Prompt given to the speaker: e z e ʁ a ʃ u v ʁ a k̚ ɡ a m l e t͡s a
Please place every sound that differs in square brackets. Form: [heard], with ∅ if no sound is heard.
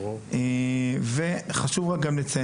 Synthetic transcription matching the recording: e [v] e [χ] a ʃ u v ʁ a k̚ ɡ a m l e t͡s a